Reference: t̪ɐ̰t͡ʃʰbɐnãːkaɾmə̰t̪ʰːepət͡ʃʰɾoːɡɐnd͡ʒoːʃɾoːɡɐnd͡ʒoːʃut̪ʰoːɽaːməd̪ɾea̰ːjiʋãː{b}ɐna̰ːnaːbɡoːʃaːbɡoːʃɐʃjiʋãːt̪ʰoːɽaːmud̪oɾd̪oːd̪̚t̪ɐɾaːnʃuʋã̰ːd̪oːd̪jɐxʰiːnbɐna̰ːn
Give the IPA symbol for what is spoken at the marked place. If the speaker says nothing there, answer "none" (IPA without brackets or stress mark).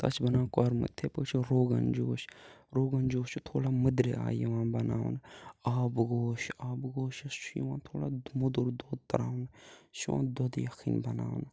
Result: b